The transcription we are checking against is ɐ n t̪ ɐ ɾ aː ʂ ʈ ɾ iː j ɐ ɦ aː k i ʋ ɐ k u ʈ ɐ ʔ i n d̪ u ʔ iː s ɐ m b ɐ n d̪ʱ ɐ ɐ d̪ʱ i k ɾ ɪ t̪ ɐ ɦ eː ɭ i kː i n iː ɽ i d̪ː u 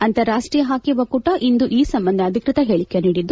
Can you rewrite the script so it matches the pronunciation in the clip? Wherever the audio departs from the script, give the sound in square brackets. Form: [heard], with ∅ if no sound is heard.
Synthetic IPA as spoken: ɐ n t̪ ɐ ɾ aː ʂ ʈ ɾ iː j ɐ ɦ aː k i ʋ ɐ k u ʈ ɐ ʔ i n d̪ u ʔ iː s ɐ m b ɐ n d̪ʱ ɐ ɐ d̪ʱ i k ɾ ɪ t̪ ɐ ɦ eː ɭ i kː [e] n iː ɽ i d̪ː u